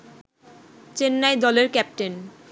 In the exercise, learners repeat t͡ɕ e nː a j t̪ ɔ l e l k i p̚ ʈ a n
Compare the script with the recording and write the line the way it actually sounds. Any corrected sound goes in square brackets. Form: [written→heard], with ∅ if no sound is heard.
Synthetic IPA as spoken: t͡ɕ e nː a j [t̪→d̪] ɔ l e [l→ɾ] k [i→ɛ] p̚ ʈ [a→e] n